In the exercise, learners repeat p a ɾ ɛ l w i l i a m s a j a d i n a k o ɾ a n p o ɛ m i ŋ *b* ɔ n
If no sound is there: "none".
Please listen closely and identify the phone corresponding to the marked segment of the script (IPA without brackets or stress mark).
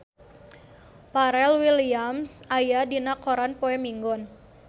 ɡ